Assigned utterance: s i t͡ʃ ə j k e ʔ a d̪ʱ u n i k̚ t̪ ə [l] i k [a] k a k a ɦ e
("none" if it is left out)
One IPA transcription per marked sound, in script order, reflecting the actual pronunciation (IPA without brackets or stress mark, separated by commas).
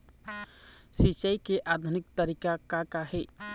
ɾ, a